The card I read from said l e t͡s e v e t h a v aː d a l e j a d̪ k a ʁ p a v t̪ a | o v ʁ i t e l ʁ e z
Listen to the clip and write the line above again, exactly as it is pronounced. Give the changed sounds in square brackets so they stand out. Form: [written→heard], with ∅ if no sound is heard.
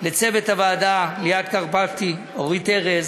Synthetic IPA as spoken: l e t͡s e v e t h a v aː d a l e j a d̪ k a ʁ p a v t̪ [a→i] | o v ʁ i t e [l→∅] ʁ e z

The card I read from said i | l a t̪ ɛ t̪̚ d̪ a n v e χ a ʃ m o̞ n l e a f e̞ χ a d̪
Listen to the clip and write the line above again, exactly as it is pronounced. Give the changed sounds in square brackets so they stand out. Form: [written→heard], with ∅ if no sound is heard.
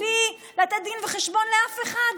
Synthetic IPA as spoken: i | l a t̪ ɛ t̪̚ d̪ [a→i] n v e χ [a→e] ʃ [m→b] o̞ n l e a f e̞ χ a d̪

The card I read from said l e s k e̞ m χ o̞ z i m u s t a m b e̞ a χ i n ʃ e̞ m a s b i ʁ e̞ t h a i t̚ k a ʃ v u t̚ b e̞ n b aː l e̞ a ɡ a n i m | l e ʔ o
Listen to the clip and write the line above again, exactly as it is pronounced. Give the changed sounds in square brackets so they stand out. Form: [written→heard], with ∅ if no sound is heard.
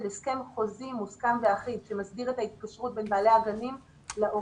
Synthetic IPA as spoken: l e s k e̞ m χ o̞ z i m u s [t→k] a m [b→v] e̞ a χ i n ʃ e̞ m a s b i ʁ e̞ t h a i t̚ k a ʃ [v→ʁ] u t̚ b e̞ n b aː l e̞ a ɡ a n i m | l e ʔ o

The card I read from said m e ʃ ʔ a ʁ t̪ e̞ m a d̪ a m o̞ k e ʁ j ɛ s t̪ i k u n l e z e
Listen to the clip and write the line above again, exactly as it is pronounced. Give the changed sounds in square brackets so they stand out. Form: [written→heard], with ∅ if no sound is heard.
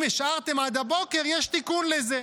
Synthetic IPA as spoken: m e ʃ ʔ a ʁ t̪ e̞ m a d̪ a [m→b] o̞ k e ʁ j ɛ [s→ʃ] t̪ i k u n l e z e

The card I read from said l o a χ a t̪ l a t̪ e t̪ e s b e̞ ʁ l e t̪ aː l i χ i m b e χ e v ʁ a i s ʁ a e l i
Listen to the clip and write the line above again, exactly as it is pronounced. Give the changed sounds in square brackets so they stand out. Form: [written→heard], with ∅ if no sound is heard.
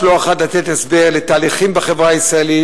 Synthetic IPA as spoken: l o a χ a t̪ l a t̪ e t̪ e s b e̞ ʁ l e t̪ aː l i χ i m b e χ e v ʁ a i s ʁ a e l i

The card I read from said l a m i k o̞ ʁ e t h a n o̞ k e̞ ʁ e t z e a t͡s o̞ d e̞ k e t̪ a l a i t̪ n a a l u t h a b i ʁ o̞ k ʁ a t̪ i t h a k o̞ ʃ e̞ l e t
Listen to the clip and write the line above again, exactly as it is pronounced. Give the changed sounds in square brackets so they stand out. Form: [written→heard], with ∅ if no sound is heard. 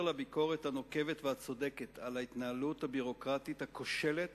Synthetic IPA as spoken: l a [m→b] i k o̞ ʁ e t h a n o̞ k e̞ [ʁ→v] e t [z→v] e a t͡s o̞ d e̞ k e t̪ a l a i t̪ n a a l u t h a b i ʁ o̞ k ʁ a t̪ i t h a k o̞ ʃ e̞ l e t

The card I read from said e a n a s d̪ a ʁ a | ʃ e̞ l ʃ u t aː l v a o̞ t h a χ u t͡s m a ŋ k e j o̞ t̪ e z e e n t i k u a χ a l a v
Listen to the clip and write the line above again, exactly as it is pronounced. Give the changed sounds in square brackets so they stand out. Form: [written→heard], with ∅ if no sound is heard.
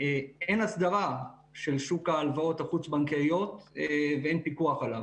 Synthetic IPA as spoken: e [a→e] n a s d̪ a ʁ a | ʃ e̞ l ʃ u [t→k] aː l v a o̞ t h a χ u t͡s [m→b] a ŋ k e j o̞ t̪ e [z→v] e e n [t→p] i k u a χ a l a v

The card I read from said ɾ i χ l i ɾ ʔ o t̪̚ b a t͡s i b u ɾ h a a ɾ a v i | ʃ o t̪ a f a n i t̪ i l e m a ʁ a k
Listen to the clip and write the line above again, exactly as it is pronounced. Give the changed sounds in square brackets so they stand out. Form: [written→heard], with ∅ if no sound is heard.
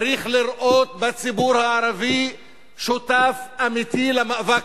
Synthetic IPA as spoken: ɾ i χ l i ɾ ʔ o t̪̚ b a t͡s i b u ɾ h a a ɾ a v i | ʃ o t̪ a f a [n→m] i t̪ i l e m a [ʁ→v] a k

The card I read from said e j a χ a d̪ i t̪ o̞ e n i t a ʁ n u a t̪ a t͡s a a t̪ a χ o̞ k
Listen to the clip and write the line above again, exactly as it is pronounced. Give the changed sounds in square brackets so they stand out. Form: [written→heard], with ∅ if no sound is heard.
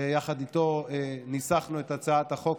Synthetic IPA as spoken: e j a χ a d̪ i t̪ o̞ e n i [t→s] a [ʁ→χ] n u [a→e] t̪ a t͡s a a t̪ a χ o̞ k

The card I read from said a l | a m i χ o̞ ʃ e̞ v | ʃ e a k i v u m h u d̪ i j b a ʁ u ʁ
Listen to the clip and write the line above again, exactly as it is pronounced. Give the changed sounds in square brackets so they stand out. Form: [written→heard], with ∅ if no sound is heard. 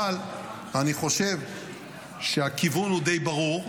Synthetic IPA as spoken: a l | a [m→n] i χ o̞ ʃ e̞ v | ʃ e a k i v u [m→n] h u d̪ [i→e] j b a ʁ u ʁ

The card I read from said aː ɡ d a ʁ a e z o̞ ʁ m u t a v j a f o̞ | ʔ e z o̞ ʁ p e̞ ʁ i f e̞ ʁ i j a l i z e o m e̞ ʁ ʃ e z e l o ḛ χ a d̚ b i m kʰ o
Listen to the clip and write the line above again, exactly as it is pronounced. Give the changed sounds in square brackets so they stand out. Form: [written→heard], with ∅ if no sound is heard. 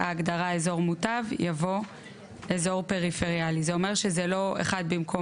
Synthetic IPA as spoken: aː ɡ d a ʁ a e z o̞ ʁ m u t a v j a [f→v] o̞ | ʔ e z o̞ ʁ p e̞ ʁ i f e̞ ʁ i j a l i z e o m e̞ ʁ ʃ e z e l o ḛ χ a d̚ b i m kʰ o

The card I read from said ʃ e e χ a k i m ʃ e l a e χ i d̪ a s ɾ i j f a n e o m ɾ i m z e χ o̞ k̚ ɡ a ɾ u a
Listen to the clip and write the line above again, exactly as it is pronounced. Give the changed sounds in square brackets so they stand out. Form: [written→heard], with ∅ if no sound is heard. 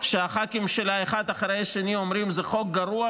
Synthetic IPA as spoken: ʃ e [e→a] χ a k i m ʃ e l a e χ [i→a] d̪ a [s→χ] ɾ [i→e] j [f→ʃ] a n [e→i] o m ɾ i m z e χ o̞ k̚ ɡ a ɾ u a

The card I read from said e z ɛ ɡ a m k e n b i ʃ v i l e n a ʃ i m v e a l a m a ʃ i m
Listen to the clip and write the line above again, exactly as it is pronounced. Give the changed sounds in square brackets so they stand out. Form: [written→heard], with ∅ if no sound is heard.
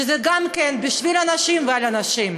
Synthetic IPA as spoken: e z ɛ ɡ a m k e n b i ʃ v i l [e→a] n a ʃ i m v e a l a [m→n] a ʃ i m

